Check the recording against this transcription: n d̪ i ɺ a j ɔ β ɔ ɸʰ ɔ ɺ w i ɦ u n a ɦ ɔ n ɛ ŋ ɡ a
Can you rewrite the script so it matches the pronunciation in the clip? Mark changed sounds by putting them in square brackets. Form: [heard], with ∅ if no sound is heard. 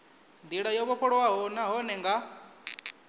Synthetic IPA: n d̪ i ɺ a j ɔ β ɔ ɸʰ ɔ ɺ w [a] ɦ [ɔ] n a ɦ ɔ n ɛ ŋ ɡ a

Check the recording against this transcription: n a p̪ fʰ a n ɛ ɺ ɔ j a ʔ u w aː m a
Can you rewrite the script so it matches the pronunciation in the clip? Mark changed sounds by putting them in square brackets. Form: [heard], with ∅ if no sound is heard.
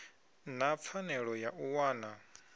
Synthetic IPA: n a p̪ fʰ a n ɛ ɺ ɔ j a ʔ u w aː [n] a

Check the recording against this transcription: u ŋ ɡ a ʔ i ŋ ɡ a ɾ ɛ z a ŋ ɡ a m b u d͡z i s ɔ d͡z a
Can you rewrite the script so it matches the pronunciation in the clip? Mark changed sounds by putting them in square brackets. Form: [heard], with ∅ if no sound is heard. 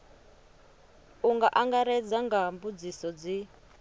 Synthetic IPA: u ŋ ɡ a ʔ [a] ŋ ɡ a ɾ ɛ [d͡z] a ŋ ɡ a m b u d͡z i s ɔ d͡z [i]

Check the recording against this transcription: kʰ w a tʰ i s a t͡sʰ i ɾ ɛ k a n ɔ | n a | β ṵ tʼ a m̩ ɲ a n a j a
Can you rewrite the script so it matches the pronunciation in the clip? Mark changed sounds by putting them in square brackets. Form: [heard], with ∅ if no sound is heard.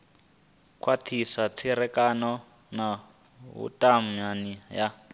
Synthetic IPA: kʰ w a tʰ i s a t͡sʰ i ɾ ɛ k a n ɔ | n a | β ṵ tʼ a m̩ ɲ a n [i] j a

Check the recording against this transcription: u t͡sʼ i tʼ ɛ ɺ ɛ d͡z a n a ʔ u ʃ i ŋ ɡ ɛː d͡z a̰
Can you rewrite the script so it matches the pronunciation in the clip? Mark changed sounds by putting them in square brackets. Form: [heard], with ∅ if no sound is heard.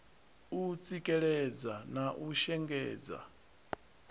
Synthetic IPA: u t͡sʼ i [kʼ] ɛ ɺ ɛ d͡z a n a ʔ u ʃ [ɛ] ŋ ɡ ɛː d͡z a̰

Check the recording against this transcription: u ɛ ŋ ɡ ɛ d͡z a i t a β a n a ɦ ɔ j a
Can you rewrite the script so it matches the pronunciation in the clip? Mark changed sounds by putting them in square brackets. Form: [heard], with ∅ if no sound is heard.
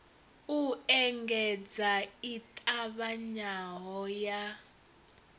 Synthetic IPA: u ɛ ŋ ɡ ɛ d͡z a i [tʼ] a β a [ɲ] a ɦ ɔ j a

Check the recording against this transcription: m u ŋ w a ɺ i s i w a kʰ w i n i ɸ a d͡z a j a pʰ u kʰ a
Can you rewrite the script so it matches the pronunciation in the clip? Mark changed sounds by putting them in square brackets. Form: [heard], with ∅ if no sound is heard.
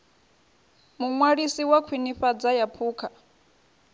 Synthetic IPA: m u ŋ w a ɺ i s i w a kʰ w i n i ɸ a d͡z a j a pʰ [uː] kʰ a

